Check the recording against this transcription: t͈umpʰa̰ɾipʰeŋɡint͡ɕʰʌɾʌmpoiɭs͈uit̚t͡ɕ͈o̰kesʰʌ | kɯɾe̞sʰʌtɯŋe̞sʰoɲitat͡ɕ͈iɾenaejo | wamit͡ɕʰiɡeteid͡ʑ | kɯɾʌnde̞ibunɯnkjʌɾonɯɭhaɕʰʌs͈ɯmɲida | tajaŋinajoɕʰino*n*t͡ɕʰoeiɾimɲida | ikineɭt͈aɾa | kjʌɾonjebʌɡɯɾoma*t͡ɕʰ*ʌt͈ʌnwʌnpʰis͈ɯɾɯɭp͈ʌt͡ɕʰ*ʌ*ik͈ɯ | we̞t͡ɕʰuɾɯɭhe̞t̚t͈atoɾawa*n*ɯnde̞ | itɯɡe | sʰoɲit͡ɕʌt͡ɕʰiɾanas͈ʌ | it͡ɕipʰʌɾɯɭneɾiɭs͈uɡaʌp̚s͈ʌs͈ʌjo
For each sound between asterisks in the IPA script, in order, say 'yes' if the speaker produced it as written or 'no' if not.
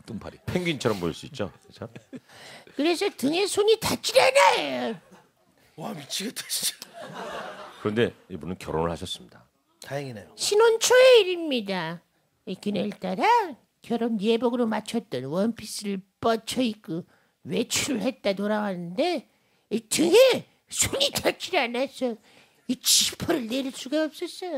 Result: yes, yes, yes, yes

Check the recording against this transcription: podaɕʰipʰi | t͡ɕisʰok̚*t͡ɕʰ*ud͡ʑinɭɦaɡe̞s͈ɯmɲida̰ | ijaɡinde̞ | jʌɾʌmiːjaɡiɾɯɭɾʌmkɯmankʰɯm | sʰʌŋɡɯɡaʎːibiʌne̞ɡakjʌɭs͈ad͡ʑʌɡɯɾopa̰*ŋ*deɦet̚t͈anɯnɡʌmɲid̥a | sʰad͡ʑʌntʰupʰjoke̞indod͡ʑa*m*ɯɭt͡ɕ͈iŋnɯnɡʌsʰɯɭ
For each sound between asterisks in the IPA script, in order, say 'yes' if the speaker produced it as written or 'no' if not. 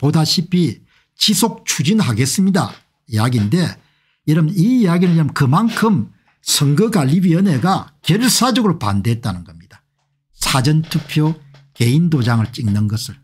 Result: yes, no, no

